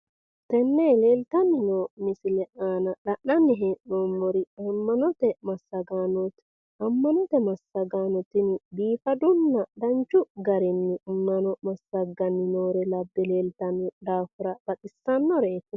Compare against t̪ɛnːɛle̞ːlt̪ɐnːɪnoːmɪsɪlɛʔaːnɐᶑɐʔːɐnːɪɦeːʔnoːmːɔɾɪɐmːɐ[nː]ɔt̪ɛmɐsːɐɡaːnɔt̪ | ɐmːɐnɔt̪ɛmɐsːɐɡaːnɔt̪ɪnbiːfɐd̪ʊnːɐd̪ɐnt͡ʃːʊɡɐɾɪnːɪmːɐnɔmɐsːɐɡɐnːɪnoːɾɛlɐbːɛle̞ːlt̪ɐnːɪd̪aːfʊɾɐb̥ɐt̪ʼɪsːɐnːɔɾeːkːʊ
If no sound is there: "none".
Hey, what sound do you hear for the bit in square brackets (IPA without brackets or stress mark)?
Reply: n